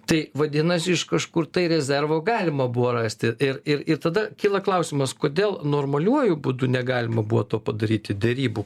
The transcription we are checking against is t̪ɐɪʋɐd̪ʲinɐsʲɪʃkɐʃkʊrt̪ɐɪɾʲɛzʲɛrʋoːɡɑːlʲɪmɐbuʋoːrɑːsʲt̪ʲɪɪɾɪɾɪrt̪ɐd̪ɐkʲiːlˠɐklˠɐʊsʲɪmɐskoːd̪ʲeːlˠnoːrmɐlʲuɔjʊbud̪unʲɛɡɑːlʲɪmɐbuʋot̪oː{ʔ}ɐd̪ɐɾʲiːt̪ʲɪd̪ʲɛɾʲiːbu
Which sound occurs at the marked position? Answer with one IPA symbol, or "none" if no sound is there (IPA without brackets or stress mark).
p